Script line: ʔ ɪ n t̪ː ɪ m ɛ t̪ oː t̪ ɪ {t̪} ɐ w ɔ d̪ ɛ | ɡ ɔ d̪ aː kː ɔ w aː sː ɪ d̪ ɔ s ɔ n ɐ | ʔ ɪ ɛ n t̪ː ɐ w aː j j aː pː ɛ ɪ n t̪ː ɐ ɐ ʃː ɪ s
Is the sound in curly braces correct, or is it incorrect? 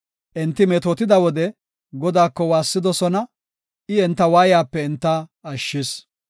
incorrect